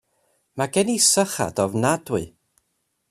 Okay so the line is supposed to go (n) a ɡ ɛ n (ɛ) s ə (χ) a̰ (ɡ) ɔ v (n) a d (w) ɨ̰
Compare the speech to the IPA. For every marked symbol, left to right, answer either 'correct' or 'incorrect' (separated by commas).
incorrect, incorrect, correct, incorrect, correct, correct